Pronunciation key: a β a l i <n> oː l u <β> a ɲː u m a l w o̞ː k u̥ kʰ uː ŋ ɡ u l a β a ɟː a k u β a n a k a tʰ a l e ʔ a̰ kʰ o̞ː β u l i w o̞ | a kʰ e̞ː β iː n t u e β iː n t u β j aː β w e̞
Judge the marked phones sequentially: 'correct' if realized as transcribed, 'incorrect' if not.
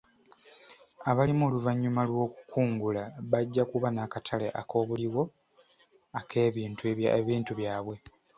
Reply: incorrect, incorrect

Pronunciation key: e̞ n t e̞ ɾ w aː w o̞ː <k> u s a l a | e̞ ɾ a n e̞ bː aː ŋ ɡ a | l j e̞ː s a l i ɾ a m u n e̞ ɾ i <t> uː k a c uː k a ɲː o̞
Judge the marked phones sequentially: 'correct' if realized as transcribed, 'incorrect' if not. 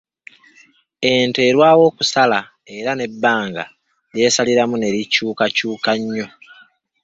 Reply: correct, incorrect

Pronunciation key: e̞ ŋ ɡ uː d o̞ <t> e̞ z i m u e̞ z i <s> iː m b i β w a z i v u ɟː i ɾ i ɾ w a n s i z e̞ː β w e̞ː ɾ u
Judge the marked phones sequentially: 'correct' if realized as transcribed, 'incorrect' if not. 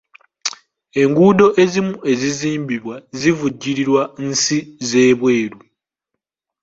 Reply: incorrect, incorrect

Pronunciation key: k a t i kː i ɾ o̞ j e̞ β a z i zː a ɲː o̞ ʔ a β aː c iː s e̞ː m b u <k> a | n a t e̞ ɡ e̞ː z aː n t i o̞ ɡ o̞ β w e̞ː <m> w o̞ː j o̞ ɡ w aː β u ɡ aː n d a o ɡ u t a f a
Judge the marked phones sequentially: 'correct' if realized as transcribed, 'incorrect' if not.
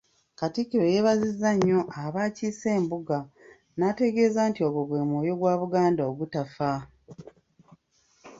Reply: incorrect, correct

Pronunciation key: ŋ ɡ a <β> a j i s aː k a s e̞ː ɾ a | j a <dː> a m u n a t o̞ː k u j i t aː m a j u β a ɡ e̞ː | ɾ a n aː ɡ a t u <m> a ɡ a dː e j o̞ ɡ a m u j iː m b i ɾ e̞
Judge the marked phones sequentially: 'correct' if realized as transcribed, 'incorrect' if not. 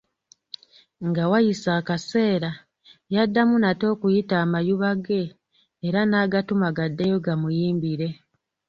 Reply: incorrect, correct, correct

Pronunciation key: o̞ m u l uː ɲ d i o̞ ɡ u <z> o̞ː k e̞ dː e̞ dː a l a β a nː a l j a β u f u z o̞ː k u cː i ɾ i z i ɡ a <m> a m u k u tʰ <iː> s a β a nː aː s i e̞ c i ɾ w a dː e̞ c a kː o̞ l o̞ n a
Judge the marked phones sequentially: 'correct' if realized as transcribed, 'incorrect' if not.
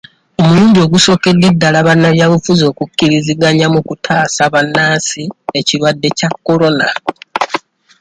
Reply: incorrect, incorrect, incorrect

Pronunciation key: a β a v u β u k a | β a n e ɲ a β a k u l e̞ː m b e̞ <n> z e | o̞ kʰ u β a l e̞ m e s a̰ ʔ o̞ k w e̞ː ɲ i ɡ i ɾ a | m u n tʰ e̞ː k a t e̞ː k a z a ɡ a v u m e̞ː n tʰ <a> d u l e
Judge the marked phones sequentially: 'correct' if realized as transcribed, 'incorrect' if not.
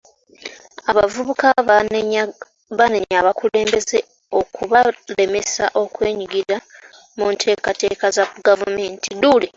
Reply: incorrect, incorrect

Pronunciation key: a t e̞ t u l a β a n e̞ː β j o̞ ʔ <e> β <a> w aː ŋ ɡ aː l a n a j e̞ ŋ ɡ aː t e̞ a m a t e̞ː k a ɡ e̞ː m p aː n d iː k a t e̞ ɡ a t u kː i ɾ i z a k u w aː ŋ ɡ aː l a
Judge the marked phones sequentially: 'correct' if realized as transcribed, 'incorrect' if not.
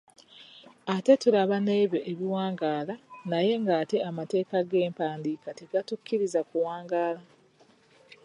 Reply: correct, incorrect

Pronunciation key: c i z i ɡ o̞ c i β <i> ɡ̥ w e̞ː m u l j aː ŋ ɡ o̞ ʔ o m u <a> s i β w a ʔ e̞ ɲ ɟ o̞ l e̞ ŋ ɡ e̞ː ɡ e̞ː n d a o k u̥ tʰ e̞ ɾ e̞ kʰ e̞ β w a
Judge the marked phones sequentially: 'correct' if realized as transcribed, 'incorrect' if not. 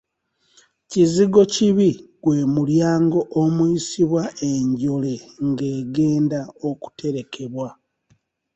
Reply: correct, incorrect

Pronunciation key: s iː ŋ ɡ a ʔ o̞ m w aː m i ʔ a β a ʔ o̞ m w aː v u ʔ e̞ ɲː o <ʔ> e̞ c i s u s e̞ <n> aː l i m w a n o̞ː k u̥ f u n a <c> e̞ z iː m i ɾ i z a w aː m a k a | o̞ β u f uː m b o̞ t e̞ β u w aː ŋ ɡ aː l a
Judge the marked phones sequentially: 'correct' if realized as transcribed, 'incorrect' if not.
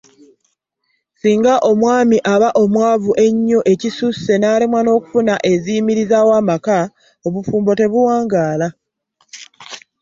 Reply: correct, correct, incorrect

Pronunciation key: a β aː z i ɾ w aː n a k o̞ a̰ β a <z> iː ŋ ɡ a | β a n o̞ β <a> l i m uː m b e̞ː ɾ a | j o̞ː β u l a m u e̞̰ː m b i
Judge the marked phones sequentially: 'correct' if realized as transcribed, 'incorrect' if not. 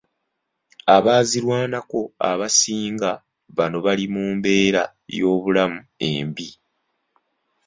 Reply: incorrect, correct

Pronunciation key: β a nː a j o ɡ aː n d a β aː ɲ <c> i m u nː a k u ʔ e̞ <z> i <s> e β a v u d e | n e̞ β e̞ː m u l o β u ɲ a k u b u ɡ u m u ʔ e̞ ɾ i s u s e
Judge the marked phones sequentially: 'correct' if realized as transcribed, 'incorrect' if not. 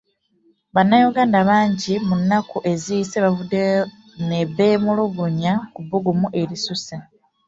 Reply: incorrect, correct, correct

